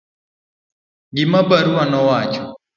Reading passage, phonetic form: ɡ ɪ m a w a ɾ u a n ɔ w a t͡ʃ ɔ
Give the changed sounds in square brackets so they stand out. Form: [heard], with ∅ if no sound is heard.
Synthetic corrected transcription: ɡ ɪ m a [b] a ɾ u a n ɔ w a t͡ʃ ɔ